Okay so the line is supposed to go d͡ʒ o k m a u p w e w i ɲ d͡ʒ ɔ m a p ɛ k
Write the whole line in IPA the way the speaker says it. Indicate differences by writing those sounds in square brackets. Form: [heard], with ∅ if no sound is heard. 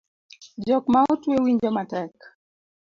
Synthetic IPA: d͡ʒ [ɔ] k m a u [t] w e w i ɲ d͡ʒ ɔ m a [t] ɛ k